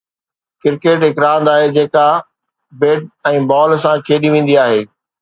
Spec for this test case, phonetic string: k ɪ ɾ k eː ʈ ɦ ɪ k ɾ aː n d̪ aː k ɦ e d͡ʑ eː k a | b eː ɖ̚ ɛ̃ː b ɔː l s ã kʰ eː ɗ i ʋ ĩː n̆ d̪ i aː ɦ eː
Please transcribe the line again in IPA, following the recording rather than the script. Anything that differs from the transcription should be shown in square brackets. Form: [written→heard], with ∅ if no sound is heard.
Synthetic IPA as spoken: k ɪ ɾ k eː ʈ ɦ ɪ k ɾ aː n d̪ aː [k→∅] ɦ e d͡ʑ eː k a | b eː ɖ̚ ɛ̃ː b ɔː l s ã kʰ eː ɗ i ʋ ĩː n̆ d̪ i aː ɦ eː